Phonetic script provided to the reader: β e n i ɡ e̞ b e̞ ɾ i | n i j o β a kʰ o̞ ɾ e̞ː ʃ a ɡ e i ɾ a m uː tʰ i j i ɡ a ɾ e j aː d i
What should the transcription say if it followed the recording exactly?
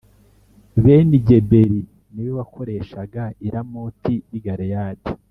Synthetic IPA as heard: β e n i ɟ e̞ b e̞ ɾ i | n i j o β a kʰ o̞ ɾ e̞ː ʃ a ɡ a i ɾ a m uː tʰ i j i ɡ a ɾ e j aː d i